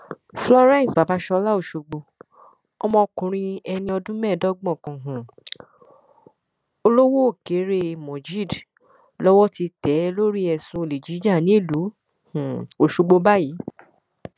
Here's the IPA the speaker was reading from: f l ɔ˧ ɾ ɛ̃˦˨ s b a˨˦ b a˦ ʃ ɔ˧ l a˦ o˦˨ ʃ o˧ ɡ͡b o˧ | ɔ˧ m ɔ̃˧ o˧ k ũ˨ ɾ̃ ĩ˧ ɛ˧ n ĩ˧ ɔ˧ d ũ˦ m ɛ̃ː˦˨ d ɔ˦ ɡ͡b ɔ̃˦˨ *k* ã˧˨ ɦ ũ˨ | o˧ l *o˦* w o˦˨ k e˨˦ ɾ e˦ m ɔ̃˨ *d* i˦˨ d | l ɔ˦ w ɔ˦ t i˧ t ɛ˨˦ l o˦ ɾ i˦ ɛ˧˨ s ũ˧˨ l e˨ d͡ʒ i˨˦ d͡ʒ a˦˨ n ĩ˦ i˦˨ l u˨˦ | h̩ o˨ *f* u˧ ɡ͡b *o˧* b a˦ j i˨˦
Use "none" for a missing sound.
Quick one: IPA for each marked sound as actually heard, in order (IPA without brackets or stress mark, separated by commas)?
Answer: k, o˦, d͡ʒ, ʃ, o˧